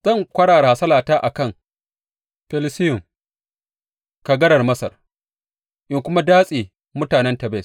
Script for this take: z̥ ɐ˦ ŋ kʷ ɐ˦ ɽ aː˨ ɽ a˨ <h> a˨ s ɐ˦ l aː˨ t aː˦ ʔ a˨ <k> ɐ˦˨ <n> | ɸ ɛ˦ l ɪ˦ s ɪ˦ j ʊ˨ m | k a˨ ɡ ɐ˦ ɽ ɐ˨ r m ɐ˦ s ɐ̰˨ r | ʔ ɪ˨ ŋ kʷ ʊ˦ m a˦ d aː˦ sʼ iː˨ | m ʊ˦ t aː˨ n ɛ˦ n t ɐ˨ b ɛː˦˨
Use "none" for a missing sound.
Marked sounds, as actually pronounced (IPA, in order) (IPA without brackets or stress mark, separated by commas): h, k, ŋ